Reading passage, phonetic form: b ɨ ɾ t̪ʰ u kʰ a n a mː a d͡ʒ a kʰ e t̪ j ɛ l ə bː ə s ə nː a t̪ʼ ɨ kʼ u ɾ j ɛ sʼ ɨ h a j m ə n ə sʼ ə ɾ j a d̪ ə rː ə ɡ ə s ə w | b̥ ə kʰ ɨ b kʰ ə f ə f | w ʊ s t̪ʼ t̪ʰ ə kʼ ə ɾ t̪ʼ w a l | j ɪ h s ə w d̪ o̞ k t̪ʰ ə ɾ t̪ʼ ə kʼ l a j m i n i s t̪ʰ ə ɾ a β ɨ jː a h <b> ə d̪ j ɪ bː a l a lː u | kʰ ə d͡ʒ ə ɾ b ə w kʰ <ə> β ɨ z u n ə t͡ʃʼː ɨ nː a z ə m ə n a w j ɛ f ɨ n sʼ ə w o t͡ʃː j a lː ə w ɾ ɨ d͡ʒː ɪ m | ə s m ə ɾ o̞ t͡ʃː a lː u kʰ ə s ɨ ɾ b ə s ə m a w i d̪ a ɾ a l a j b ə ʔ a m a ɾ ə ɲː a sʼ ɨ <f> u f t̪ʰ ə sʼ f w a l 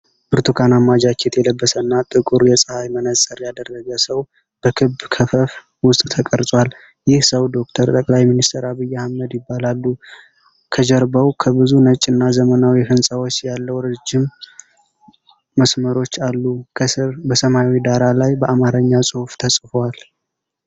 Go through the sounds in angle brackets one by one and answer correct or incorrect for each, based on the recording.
incorrect, correct, incorrect

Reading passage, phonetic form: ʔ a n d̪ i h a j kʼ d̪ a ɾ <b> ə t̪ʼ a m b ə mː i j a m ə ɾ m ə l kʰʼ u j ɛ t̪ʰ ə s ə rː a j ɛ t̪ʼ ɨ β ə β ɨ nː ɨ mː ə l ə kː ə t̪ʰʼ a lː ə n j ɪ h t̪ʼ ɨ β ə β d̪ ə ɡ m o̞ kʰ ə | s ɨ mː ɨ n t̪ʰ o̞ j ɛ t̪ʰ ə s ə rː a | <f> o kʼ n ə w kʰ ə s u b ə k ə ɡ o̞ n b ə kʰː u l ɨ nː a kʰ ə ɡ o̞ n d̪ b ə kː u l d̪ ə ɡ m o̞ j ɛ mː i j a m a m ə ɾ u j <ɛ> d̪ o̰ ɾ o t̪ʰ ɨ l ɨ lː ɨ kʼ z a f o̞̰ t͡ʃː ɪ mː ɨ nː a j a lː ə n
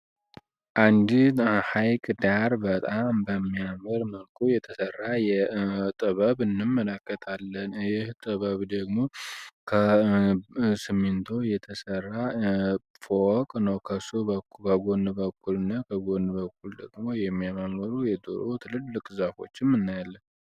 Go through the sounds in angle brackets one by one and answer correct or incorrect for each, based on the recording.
correct, correct, correct

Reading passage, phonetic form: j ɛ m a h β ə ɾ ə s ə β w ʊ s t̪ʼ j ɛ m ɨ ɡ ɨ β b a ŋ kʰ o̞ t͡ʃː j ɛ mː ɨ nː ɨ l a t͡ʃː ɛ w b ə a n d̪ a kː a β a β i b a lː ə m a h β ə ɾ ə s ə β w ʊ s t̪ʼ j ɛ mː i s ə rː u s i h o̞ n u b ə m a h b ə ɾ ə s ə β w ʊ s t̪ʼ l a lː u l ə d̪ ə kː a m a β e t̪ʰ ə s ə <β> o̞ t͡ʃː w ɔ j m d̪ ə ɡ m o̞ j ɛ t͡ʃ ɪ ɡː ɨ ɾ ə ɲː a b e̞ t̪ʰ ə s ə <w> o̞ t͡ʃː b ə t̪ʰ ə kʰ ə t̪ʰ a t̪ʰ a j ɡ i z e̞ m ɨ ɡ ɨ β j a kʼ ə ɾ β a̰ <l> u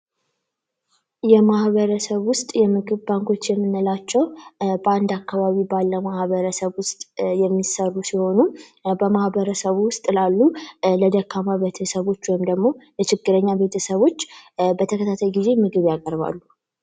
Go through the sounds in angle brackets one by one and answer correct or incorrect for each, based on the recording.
correct, incorrect, incorrect

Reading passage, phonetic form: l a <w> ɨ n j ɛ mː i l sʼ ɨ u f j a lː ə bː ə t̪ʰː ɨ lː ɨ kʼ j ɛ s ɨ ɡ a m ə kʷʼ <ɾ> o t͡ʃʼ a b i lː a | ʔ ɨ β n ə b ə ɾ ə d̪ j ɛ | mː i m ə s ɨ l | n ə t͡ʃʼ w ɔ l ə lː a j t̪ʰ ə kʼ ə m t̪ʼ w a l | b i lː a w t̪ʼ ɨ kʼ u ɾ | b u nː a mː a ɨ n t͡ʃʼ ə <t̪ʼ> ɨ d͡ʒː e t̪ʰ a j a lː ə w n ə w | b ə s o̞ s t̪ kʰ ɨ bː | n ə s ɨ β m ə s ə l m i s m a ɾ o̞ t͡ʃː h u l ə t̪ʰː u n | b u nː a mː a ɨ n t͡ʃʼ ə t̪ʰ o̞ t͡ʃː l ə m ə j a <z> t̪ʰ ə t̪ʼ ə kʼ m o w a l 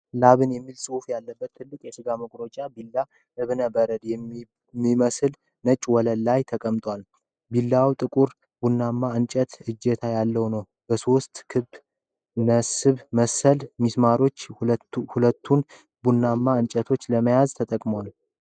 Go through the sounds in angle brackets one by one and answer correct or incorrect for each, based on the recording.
incorrect, correct, incorrect, correct

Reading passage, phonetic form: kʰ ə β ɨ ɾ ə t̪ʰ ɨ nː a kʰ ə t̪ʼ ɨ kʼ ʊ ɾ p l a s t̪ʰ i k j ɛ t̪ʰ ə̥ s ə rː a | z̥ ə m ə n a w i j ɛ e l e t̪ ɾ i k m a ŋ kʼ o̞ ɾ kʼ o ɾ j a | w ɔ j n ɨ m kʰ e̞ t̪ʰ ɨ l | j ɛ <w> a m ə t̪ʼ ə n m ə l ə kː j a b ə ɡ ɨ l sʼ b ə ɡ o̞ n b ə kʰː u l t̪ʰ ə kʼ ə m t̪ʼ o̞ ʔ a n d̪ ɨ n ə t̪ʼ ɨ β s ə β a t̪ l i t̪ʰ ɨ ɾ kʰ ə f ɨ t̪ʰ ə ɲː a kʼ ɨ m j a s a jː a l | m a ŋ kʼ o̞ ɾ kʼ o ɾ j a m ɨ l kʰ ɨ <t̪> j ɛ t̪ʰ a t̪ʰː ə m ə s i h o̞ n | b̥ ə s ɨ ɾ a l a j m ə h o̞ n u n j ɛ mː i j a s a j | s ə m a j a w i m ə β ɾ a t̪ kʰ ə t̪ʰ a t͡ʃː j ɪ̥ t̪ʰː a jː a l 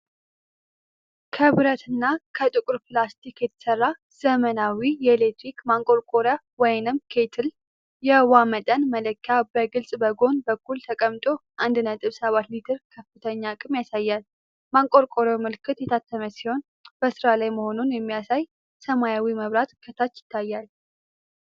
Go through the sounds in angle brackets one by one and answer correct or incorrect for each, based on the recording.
correct, correct

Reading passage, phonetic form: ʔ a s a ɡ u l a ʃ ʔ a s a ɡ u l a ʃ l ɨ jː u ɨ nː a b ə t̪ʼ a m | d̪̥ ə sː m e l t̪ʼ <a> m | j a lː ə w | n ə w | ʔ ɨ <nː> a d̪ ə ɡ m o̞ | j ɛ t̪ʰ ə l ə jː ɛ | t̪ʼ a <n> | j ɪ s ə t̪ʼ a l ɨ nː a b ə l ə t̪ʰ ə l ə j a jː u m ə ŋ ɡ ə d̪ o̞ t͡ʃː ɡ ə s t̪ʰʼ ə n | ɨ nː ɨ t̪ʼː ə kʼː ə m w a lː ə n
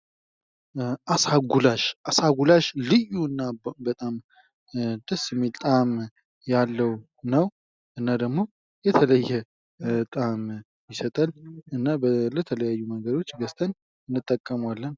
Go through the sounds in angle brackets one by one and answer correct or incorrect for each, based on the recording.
correct, correct, incorrect

